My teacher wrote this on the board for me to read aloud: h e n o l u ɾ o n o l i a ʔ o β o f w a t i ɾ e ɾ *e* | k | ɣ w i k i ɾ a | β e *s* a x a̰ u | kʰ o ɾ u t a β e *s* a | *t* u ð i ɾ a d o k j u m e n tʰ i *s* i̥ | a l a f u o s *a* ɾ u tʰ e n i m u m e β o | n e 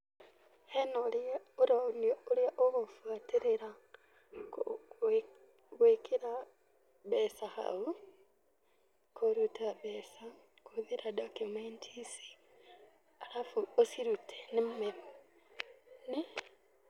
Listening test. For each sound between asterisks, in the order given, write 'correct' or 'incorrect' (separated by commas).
incorrect, correct, correct, incorrect, correct, incorrect